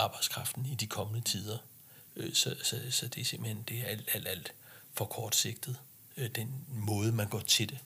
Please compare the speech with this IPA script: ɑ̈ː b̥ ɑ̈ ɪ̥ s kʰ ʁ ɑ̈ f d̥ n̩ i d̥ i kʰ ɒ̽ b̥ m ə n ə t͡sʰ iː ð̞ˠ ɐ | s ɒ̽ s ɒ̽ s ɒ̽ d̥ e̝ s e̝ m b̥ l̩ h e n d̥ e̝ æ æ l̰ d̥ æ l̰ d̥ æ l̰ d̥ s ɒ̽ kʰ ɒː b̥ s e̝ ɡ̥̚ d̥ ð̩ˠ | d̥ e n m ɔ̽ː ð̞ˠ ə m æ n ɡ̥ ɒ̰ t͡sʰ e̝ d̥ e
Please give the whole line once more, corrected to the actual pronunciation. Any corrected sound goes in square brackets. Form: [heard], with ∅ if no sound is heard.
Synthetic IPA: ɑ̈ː b̥ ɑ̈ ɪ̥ s kʰ ʁ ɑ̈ f d̥ n̩ i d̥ i kʰ ɒ̽ [∅] m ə n ə t͡sʰ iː ð̞ˠ ɐ | s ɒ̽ s ɒ̽ s ɒ̽ d̥ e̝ s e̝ m b̥ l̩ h e n d̥ e̝ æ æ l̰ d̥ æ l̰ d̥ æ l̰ d̥ [f] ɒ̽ kʰ ɒː [d̥] s e̝ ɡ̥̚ d̥ ð̩ˠ | d̥ e n m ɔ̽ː ð̞ˠ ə m æ n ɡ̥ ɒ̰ t͡sʰ e̝ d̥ e